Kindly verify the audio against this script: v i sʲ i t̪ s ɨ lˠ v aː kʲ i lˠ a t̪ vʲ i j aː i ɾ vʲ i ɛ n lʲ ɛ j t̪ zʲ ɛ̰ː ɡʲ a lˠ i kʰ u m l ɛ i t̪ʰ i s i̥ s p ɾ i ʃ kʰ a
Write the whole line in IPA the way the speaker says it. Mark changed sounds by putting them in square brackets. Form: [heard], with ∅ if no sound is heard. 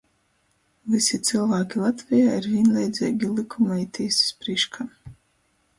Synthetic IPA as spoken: v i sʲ i t̪ s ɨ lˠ v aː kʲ i lˠ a t̪ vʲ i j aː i ɾ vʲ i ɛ n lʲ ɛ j [d̪] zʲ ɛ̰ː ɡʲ [i] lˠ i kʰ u m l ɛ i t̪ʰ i s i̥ s p ɾ i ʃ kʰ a